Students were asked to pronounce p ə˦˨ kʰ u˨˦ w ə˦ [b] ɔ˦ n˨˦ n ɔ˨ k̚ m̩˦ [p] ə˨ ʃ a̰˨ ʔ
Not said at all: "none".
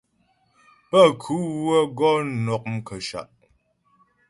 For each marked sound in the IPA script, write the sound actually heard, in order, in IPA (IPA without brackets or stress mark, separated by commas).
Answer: ɡ, k